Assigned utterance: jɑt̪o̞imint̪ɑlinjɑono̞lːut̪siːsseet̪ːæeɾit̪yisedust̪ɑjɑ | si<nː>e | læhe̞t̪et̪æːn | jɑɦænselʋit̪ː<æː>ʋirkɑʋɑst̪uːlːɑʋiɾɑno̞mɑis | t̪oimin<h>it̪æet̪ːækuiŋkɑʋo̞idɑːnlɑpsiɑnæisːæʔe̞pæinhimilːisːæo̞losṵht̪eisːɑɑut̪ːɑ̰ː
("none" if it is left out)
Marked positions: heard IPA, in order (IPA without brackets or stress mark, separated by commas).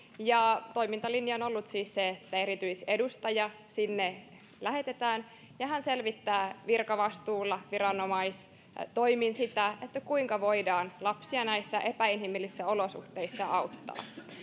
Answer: nː, æː, s